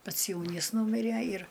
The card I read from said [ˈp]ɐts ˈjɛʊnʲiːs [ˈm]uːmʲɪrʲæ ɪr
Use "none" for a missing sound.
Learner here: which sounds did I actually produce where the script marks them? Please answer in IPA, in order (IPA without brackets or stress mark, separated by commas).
p, n